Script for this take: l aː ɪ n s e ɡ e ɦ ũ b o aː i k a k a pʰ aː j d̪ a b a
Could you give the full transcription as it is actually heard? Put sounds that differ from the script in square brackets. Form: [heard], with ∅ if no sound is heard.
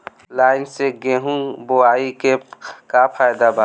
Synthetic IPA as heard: l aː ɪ n s e ɡ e ɦ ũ b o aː i k [e] k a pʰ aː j d̪ a b a